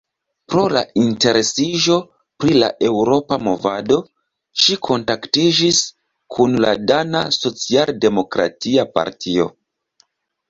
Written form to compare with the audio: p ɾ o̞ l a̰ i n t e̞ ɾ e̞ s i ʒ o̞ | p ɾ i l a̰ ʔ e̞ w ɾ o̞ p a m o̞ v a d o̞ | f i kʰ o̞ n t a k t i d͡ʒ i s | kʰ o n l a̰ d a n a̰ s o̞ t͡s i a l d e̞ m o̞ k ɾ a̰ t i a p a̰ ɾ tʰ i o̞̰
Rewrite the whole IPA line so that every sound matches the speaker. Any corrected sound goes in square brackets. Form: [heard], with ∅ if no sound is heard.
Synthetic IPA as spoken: p ɾ o̞ l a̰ i n t e̞ ɾ e̞ s i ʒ o̞ | p ɾ i l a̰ ʔ e̞ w ɾ o̞ p a m o̞ v a d o̞ | [ʃ] i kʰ o̞ n t a k t i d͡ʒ i s | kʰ [u] n l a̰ d a n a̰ s o̞ t͡s i a l d e̞ m o̞ k ɾ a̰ t i a p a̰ ɾ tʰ i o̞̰